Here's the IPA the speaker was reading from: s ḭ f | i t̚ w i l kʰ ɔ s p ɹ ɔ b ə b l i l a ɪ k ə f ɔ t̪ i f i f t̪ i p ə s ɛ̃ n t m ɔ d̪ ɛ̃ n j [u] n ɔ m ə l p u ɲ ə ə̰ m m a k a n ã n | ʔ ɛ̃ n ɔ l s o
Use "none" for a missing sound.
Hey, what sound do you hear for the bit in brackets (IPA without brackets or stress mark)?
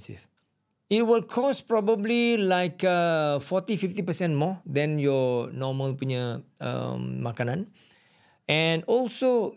ɔ